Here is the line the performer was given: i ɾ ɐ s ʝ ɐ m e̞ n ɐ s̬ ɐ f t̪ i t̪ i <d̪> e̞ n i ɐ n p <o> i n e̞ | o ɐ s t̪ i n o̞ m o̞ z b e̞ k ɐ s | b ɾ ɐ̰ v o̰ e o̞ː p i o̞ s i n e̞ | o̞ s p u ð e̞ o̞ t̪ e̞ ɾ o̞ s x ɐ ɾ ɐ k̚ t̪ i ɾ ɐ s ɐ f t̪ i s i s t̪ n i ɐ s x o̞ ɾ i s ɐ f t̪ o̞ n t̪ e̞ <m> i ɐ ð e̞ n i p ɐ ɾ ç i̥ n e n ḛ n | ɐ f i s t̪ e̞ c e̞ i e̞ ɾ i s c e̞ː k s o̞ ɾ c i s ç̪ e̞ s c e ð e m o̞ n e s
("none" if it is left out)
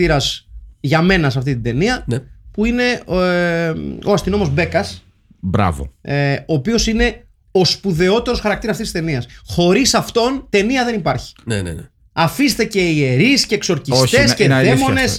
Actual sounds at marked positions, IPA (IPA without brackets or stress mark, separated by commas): d̪, u, n